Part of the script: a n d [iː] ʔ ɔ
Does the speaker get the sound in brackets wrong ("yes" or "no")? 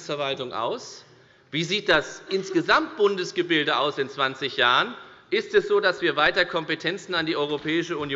no